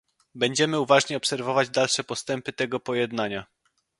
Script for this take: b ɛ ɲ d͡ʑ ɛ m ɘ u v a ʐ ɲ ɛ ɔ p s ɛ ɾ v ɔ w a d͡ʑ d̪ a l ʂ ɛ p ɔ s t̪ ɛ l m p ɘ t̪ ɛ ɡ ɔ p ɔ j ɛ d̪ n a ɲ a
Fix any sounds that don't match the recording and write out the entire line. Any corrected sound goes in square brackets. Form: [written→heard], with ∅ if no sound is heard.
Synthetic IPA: b ɛ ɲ d͡ʑ ɛ m ɘ u v a ʐ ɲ ɛ ɔ p s ɛ ɾ v ɔ [w→v] a d͡ʑ d̪ a l ʂ ɛ p ɔ s t̪ ɛ [l→∅] m p ɘ t̪ ɛ ɡ ɔ p ɔ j ɛ d̪ n a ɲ a